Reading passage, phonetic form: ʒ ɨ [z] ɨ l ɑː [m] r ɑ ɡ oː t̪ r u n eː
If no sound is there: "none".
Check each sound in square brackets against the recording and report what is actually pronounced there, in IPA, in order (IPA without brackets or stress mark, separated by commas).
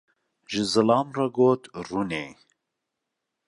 z, m